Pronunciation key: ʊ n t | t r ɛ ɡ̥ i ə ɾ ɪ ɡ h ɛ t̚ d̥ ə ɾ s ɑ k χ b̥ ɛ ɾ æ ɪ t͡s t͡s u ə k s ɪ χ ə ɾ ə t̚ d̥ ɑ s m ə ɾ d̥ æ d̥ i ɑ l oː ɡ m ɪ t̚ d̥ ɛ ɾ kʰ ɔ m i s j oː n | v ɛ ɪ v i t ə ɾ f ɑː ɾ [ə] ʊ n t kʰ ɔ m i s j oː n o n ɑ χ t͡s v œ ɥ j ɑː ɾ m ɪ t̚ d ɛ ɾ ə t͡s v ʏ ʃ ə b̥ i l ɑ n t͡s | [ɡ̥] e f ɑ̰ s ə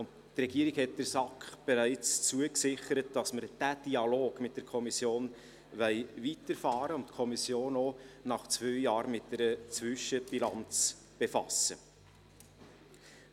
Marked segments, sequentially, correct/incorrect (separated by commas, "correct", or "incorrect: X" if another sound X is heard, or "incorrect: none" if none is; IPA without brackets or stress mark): correct, incorrect: b̥